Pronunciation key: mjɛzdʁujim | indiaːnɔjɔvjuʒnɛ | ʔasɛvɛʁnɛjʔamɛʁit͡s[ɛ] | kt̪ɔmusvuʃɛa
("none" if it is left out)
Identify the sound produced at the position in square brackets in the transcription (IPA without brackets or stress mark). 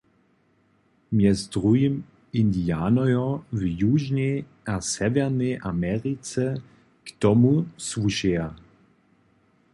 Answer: ɛ